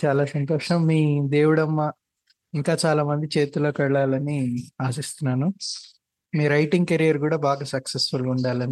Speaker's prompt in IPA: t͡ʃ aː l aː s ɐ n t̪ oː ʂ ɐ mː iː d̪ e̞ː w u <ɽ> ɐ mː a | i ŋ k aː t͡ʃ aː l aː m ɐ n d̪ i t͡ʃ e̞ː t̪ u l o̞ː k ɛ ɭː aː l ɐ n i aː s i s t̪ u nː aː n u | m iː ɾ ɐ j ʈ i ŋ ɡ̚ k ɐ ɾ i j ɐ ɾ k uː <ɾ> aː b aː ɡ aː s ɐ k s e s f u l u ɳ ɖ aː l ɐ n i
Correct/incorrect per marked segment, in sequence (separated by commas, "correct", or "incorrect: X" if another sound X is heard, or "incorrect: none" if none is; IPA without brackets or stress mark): correct, incorrect: ɽ